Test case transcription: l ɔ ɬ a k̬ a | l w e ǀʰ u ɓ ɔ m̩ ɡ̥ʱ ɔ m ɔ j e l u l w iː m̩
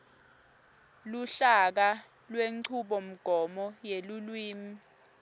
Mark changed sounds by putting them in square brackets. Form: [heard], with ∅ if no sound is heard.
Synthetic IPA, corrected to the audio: l [u] ɬ a k̬ a | l w e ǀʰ u ɓ ɔ m̩ ɡ̥ʱ ɔ m ɔ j e l u l w iː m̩

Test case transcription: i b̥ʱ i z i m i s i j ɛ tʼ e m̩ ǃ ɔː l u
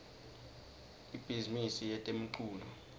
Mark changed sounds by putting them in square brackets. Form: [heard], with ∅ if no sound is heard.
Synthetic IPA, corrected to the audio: i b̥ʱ i z i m i s i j ɛ tʼ e m̩ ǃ [uː] l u

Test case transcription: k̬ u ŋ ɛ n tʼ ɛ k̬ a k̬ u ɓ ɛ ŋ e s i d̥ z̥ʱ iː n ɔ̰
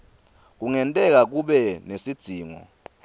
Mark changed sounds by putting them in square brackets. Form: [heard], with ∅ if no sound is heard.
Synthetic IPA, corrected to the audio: k̬ u ŋ ɛ n tʼ ɛ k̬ a k̬ u ɓ ɛ [n] e s i d̥ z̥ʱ iː [ŋ] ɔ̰

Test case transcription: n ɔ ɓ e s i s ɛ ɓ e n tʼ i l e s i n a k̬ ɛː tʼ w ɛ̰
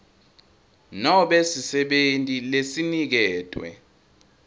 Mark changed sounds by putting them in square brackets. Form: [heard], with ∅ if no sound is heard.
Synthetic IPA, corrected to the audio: n ɔ ɓ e s i s ɛ ɓ e n tʼ i l e s i n [i] k̬ ɛː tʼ w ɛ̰

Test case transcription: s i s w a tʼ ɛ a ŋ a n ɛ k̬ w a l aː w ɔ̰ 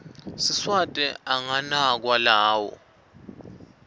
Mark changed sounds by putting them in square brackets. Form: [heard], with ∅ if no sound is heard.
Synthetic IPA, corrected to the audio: s i s w a tʼ ɛ a ŋ a n [a] k̬ w a l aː w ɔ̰

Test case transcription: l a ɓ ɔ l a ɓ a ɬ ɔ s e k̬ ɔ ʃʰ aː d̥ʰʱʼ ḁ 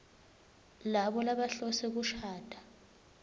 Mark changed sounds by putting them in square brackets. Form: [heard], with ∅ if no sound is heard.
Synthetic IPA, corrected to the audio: l a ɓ ɔ l a ɓ a ɬ ɔ s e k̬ [u] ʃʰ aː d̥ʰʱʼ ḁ

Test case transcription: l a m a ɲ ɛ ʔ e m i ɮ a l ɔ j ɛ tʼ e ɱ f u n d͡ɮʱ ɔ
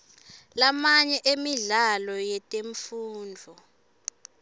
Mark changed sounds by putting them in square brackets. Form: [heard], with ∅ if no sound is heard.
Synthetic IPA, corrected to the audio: l a m a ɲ ɛ ʔ e m i ɮ a l ɔ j ɛ tʼ e ɱ f [uː] n d͡ɮʱ ɔ

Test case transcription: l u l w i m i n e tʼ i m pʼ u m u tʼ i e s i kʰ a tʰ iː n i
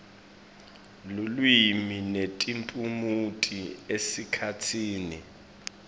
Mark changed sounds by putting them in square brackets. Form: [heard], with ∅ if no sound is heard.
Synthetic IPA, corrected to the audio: l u l w i m i n e tʼ i m pʼ u m u tʼ i e s i kʰ a tʰ iː n i

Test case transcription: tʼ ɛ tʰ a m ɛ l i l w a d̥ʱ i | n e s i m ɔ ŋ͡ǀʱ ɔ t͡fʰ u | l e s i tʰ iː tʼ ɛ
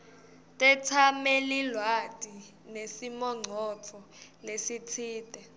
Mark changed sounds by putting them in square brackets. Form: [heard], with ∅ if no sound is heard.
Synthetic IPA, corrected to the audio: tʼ ɛ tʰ a m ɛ l i l w a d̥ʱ i | n e s i m ɔ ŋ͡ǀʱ ɔ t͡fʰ [ɔ] | l e s i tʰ iː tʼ ɛ

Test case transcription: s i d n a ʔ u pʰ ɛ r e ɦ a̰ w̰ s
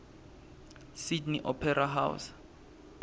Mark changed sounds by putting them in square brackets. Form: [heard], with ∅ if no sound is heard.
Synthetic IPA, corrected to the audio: s i d n [i] ʔ [ɔ] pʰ ɛ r [a] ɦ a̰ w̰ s

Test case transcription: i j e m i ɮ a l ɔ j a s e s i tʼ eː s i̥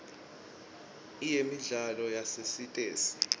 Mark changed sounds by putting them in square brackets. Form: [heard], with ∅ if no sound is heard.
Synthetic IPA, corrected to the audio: i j e m i ɮ a l ɔ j a s e s i tʼ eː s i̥

